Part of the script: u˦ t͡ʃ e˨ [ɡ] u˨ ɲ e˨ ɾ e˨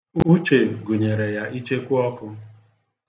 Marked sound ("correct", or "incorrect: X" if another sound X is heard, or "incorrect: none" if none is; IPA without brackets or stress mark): correct